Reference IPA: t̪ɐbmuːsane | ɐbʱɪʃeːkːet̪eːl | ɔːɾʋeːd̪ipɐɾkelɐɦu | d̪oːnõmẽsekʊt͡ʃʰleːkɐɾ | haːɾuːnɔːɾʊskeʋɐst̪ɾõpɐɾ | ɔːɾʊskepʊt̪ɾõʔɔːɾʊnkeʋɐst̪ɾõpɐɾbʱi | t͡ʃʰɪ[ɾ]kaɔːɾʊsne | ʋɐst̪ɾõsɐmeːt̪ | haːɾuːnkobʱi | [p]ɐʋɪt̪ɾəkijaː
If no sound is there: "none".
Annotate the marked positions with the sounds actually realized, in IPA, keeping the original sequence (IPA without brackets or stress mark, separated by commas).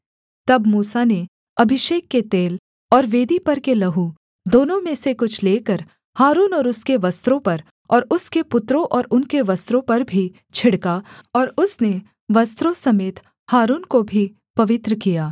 ɽ, p